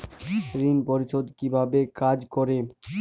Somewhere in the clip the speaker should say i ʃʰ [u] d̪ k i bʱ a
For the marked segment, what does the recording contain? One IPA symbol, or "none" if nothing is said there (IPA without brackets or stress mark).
o